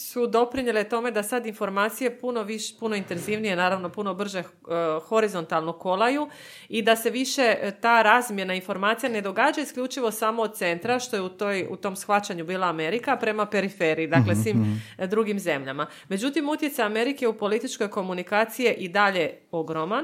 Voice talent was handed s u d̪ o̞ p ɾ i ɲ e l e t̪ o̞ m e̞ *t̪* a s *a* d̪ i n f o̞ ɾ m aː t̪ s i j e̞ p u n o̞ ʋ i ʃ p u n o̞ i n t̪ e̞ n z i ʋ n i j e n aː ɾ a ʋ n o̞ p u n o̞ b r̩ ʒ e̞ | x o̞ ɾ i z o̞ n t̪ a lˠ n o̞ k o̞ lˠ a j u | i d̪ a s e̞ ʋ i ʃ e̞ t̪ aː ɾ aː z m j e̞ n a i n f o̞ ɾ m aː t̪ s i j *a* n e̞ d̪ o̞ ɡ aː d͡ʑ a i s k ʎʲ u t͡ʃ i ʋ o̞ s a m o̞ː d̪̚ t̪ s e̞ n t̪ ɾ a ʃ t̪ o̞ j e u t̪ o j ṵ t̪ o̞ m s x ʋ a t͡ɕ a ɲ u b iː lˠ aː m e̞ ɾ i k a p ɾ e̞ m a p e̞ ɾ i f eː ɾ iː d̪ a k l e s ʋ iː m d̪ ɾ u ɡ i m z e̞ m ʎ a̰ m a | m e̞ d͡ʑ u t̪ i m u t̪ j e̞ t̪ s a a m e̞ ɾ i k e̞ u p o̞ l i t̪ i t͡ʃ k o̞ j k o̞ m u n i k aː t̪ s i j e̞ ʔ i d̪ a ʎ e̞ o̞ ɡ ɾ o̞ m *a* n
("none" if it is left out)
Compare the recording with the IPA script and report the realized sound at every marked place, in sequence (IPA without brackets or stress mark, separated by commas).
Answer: d̪, a, a, a